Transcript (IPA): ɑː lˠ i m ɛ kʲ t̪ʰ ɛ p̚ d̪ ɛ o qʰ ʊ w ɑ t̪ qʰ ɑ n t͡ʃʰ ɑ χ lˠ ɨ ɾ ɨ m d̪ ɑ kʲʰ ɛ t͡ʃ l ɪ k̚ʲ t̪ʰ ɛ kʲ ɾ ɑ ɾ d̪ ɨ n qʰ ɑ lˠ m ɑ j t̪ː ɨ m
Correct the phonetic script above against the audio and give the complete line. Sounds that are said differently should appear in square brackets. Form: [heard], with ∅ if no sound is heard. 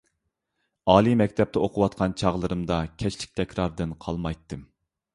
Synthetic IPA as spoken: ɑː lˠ i m ɛ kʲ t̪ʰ ɛ p̚ [t̪] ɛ o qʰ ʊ w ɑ t̪ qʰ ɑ n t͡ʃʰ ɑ [ʁ] lˠ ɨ ɾ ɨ m d̪ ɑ kʲʰ ɛ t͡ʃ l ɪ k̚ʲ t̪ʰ ɛ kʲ ɾ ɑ ɾ d̪ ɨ n qʰ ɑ lˠ m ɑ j t̪ː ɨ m